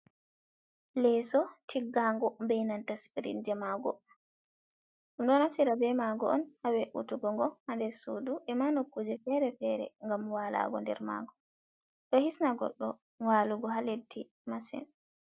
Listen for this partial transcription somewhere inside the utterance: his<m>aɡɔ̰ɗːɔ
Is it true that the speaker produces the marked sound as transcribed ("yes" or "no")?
no